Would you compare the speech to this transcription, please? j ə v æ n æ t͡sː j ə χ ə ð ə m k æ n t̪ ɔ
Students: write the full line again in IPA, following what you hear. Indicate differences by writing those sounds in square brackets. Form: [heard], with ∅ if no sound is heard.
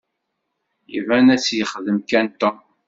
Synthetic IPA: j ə v æ n æ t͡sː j ə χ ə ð ə m k æ n t̪ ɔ

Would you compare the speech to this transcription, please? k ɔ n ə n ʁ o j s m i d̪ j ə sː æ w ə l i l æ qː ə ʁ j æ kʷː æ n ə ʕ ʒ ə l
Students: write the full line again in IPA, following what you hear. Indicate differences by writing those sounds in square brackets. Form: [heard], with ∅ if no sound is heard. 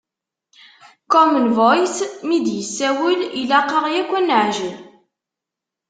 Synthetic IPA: k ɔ [m] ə n [v] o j s m i d̪ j ə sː æ w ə l i l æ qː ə ʁ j æ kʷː æ n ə ʕ ʒ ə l

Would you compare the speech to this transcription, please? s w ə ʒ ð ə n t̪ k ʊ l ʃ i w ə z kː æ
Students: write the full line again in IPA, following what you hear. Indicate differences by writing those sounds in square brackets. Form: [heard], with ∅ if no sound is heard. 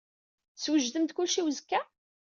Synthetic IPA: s w ə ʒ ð ə [m] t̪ k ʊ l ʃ i w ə z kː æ

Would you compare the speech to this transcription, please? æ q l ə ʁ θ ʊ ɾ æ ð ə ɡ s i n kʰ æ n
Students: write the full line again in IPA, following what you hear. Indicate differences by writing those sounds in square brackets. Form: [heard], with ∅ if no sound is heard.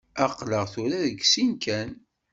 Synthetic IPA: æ q l ə ʁ θ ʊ ɾ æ ð ə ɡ s i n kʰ æ n

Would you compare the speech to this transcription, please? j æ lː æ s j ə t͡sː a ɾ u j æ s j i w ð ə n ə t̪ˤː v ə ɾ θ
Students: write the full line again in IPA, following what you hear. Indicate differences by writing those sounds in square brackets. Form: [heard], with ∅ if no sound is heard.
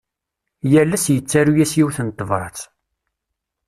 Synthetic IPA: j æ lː æ s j ə t͡sː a ɾ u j æ s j i w [θ] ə n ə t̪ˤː v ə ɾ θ

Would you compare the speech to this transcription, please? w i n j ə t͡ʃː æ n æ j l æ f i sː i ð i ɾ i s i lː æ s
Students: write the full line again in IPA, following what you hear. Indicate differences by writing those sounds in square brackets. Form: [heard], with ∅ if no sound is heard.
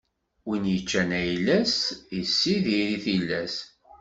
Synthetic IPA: w i n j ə t͡ʃː æ n æ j l æ [s] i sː i ð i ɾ i [θ] i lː æ s

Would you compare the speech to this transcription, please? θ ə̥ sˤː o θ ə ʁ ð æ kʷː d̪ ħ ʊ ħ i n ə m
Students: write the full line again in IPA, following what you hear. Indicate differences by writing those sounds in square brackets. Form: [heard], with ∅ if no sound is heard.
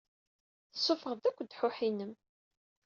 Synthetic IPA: θ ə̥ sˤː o [f] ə ʁ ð æ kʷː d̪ ħ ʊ ħ i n ə m

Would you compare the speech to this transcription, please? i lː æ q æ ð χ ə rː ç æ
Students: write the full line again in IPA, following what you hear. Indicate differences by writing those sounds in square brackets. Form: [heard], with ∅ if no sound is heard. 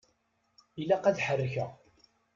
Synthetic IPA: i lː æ q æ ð [ħ] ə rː ç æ

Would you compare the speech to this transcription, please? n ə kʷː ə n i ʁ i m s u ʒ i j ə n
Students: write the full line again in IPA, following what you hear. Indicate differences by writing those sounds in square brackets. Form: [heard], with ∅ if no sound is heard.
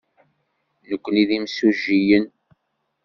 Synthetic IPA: n ə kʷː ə n i [ð] i m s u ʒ i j ə n

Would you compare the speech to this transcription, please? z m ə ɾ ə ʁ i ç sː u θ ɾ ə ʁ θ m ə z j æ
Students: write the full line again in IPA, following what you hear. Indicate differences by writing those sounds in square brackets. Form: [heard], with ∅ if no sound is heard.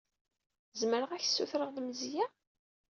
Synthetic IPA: z m ə ɾ ə ʁ [æ] ç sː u θ ɾ ə ʁ [ð] m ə z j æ

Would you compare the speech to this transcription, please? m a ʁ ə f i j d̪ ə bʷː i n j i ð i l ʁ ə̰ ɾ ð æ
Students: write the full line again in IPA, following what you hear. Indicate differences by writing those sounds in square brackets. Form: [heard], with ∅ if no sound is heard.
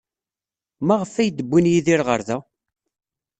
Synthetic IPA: m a ʁ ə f [æ] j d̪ ə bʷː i n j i ð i [ɾ] ʁ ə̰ ɾ ð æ

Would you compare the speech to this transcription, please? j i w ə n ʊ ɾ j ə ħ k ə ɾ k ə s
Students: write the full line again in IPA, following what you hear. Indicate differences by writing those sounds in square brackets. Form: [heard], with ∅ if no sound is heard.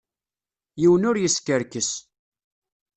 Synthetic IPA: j i w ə n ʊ ɾ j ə [s] k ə ɾ k ə s

